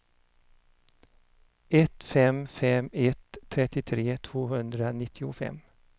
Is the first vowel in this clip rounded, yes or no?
no